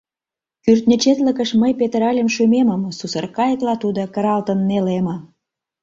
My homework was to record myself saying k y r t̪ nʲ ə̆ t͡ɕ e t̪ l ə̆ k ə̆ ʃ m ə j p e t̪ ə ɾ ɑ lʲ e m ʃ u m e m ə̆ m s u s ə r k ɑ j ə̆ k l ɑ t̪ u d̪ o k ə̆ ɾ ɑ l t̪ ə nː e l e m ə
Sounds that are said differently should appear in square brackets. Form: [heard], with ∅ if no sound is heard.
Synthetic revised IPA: k y r t̪ nʲ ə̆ t͡ɕ e t̪ l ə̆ k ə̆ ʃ m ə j p e t̪ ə ɾ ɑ lʲ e m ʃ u m e m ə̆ m s u s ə r k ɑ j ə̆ k l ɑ t̪ u d̪ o k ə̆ ɾ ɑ l t̪ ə nː e l e m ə